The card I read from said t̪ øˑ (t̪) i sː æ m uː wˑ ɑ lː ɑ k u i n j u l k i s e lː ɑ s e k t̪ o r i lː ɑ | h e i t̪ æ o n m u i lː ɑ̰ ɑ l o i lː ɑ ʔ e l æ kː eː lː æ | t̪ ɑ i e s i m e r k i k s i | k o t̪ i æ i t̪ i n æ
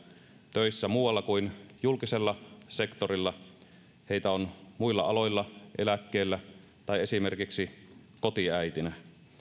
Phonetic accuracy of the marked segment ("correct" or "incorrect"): incorrect